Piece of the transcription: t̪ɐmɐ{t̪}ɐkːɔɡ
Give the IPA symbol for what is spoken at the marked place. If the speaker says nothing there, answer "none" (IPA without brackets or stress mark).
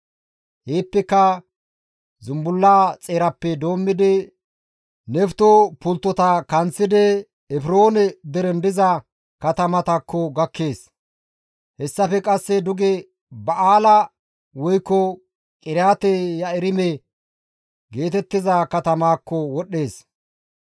t̪